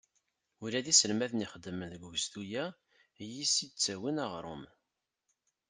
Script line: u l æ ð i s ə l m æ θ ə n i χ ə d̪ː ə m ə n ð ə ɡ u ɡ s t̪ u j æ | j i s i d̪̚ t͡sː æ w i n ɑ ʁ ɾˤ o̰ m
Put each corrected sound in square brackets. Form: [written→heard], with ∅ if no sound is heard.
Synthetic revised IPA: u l æ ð i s ə l m æ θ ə n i χ ə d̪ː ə m ə n ð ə ɡ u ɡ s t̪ u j æ | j i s i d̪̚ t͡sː æ w i n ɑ ʁ ɾˤ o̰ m